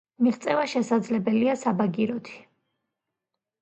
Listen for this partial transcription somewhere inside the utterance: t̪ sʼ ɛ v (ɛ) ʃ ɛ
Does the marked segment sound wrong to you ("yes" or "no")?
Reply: yes